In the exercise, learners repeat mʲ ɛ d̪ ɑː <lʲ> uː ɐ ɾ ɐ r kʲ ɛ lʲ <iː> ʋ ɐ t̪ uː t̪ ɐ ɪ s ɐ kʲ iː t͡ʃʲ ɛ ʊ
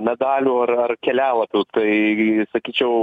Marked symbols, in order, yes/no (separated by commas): yes, no